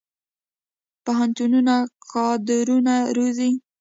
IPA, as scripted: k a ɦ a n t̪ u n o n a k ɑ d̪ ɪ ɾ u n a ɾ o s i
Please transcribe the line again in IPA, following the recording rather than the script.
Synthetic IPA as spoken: p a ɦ a n t̪ u n u n a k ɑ d̪ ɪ ɾ u n a ɾ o z i